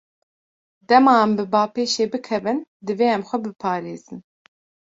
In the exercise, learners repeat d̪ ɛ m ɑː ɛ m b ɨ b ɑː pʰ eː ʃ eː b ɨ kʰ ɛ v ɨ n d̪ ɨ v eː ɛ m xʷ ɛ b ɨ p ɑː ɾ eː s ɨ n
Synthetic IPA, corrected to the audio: d̪ ɛ m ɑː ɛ m b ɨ b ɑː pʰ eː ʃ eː b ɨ kʰ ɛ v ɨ n d̪ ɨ v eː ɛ m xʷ ɛ b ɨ pʰ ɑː ɾ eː z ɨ n